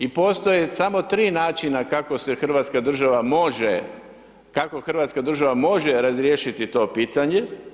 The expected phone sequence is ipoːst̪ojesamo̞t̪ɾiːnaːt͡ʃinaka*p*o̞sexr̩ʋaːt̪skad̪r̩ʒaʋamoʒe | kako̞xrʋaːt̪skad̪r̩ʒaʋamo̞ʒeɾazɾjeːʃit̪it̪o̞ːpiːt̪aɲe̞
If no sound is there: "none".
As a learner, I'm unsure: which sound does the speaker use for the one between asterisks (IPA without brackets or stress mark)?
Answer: k